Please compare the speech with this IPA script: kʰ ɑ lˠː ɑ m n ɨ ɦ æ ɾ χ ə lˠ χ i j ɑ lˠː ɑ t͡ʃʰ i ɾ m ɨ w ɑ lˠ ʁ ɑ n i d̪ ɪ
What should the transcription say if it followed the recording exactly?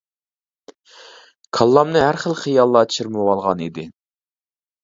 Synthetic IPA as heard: kʰ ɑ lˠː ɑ m n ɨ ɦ æ ɾ χ ə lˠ χ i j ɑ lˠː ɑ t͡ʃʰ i ɾ m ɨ w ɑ lˠ ʁ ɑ n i d̪ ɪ